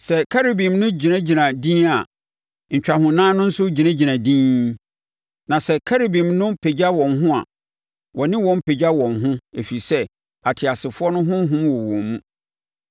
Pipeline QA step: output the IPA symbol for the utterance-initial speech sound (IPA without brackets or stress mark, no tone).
s